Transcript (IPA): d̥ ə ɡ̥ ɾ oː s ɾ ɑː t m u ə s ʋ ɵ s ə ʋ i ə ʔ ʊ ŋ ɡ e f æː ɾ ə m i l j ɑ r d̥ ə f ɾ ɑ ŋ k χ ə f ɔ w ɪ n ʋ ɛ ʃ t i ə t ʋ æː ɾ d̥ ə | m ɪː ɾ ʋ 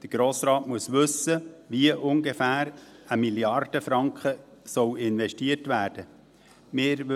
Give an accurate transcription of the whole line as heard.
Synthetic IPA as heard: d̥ ə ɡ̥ ɾ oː s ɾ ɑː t m u ə s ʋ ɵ s ə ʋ i ə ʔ ʊ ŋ ɡ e f æː ɾ ə m i l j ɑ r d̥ ə f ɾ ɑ ŋ k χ ə s ɔ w ɪ n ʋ ɛ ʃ t i ə t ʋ æː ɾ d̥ ə | m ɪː ɾ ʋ